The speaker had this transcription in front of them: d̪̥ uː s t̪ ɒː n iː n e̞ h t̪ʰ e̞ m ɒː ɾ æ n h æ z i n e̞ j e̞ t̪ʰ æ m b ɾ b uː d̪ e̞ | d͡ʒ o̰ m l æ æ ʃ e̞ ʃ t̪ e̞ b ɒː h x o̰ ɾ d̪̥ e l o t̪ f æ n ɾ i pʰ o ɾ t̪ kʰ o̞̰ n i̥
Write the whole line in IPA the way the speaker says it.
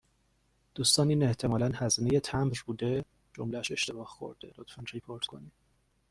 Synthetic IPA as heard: d̪̥ uː s t̪ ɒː n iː n e̞ h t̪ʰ e̞ m ɒː l æ n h æ z i n e̞ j e̞ t̪ʰ æ m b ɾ b uː d̪ e̞ | d͡ʒ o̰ m l æ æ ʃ e̞ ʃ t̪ e̞ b ɒː h x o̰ ɾ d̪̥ e l o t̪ f æ n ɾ i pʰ o ɾ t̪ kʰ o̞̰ n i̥